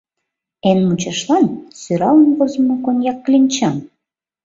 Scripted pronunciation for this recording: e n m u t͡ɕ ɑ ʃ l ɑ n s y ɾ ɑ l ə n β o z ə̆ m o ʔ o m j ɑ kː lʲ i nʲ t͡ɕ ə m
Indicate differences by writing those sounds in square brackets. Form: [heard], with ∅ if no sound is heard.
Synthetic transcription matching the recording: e n m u t͡ɕ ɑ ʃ l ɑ n s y ɾ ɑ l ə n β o z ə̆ m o [k] o [n] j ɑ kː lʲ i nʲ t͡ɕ [ɑ] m